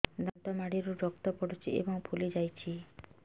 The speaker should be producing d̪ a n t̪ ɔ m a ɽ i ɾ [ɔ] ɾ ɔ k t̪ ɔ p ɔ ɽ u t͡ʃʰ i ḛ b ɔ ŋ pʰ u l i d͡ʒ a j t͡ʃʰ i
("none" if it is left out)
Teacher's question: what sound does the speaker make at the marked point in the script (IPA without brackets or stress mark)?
u